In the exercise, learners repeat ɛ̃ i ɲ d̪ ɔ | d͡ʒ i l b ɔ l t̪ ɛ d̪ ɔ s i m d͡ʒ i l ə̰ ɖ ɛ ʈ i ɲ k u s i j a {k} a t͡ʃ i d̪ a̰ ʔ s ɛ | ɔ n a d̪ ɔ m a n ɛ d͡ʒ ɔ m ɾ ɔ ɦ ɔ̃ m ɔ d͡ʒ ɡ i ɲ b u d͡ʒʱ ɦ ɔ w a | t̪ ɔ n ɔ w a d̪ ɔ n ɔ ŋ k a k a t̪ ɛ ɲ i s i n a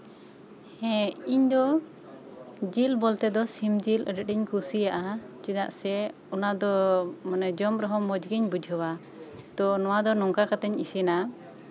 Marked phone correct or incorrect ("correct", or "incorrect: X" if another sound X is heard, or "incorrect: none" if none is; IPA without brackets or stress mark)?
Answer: incorrect: ʔ